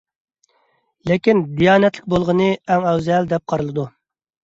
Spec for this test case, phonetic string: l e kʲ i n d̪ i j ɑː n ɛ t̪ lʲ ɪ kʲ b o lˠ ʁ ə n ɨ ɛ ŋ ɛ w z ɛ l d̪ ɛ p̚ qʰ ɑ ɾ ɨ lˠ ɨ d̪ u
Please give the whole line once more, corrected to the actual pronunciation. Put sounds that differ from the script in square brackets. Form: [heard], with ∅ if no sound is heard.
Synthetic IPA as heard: l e kʲ i n d̪ i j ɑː n ɛ t̪ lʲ ɪ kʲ b o lˠ ʁ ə n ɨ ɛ ŋ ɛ w z ɛ l d̪ ɛ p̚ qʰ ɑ ɾ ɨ lˠ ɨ d̪ u